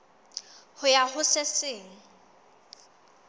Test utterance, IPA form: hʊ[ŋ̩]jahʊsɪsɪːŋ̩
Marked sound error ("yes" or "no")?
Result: yes